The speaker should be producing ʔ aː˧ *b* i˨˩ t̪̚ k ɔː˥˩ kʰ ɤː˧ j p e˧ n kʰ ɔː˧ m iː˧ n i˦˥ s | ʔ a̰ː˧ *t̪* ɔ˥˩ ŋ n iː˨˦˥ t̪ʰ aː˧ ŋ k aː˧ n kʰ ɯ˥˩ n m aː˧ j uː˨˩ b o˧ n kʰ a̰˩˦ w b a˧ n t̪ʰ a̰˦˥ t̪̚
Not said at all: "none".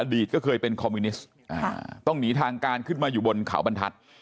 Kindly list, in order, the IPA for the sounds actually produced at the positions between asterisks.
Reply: d, t̪

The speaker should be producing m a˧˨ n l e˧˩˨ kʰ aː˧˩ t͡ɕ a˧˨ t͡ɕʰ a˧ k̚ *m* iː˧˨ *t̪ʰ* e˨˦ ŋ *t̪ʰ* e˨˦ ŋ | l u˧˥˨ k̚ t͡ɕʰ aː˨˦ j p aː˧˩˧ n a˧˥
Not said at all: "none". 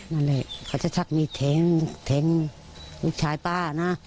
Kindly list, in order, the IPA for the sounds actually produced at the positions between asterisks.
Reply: m, t̪ʰ, t̪ʰ

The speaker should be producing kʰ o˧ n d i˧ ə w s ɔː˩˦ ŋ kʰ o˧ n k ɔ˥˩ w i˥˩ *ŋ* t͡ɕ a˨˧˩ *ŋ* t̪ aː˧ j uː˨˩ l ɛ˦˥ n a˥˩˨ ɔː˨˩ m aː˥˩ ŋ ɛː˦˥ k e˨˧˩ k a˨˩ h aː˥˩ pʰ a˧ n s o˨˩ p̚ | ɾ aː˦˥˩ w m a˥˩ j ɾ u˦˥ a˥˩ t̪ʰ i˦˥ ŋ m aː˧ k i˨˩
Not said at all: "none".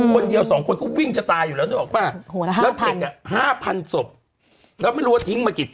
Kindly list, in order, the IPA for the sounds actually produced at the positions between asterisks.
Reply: ŋ, none

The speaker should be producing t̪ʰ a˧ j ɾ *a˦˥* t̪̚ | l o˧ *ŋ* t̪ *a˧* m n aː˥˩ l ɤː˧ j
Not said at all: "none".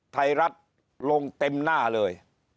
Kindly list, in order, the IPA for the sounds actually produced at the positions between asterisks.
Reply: a˦˥, ŋ, e˧

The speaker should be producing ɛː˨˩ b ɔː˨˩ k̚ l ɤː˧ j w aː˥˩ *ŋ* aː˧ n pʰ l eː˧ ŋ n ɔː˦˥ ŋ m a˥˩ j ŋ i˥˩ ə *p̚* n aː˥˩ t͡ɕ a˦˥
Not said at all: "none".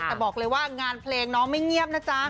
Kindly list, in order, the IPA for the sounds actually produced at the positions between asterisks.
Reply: ŋ, p̚

